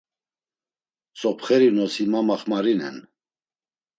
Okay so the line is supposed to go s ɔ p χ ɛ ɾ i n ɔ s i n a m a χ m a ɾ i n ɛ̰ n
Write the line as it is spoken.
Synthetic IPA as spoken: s ɔ p χ ɛ ɾ i n ɔ s i m a m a χ m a ɾ i n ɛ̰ n